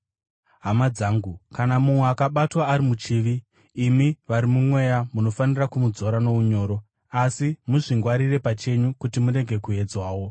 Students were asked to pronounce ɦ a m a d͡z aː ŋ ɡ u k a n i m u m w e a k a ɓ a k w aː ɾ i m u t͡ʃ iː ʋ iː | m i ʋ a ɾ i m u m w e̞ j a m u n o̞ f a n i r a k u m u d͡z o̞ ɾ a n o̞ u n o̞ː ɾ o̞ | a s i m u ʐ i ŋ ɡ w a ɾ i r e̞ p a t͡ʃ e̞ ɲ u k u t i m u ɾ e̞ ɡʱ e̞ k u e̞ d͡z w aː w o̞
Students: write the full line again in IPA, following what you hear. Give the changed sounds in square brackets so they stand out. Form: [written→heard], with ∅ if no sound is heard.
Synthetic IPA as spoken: ɦ a m a d͡z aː ŋ ɡ u k a n [i→a] m u m w e a k a ɓ a [k→t] w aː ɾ i m u t͡ʃ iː ʋ iː | m i ʋ a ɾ i m u m w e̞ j a m u n o̞ f a n i r a k u m u d͡z o̞ ɾ a n o̞ u [n→ɲ] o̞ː ɾ o̞ | a s i m u ʐ i ŋ ɡ w a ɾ i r e̞ p a t͡ʃ e̞ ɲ u k u t i m u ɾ e̞ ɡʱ e̞ k u e̞ d͡z w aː w o̞